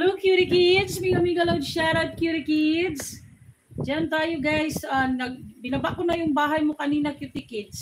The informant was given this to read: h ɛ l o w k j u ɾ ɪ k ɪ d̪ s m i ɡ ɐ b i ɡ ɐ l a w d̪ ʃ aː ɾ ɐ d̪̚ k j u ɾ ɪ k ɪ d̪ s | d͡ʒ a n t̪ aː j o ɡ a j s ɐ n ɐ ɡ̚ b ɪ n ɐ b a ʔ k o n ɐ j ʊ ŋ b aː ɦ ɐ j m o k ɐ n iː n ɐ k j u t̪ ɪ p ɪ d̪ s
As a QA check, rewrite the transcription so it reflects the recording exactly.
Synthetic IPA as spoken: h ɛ l o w k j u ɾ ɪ k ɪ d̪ s m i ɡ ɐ m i ɡ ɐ l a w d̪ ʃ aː ɾ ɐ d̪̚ k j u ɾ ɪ k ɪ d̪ s | d͡ʒ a n t̪ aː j o ɡ a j s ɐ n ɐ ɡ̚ b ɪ n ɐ b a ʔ k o n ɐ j ʊ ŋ b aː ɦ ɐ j m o k ɐ n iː n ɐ k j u t̪ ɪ k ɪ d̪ s